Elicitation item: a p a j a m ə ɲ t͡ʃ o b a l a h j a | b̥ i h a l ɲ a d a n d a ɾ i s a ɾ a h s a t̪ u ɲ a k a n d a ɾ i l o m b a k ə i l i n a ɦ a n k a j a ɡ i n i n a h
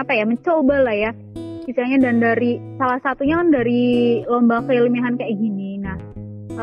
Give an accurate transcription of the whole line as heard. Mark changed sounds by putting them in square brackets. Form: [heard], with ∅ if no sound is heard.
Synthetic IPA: a p a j a m ə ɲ t͡ʃ o b a l a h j a | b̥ i [s] a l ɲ a d a n d a ɾ i s a [l] a h s a t̪ u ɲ a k a n d a ɾ i l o m b a k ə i l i [m] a ɦ a n k a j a ɡ i n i n a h